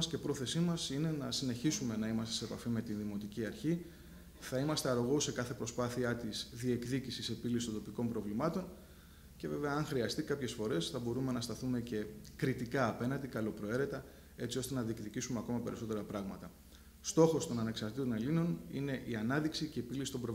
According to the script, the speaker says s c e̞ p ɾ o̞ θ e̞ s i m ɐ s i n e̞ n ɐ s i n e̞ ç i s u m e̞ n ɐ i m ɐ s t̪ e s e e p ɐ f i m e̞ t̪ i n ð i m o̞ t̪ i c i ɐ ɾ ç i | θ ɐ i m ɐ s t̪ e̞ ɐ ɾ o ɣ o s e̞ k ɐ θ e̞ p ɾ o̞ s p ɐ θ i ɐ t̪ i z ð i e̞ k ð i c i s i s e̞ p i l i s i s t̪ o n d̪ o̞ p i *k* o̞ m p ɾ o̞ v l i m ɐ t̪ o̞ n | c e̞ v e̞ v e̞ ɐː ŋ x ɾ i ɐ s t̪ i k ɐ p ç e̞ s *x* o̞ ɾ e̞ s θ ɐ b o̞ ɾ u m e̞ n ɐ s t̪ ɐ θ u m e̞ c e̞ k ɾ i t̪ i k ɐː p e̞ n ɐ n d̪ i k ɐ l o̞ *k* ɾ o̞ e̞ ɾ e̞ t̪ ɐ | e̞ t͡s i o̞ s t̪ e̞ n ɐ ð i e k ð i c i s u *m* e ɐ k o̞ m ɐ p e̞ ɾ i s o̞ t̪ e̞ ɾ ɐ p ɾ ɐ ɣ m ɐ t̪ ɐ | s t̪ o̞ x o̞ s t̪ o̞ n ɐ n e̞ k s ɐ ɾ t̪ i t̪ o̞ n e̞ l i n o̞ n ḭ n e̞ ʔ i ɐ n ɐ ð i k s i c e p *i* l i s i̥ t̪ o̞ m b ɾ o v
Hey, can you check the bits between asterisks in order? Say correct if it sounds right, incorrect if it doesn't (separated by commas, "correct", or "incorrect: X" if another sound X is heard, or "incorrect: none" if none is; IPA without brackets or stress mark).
correct, incorrect: f, incorrect: p, correct, correct